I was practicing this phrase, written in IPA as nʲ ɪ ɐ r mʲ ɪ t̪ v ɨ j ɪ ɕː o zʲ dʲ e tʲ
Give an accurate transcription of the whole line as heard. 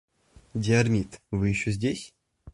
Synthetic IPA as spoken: dʲ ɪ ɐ r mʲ i t̪ v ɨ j ɪ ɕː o zʲ dʲ e sʲ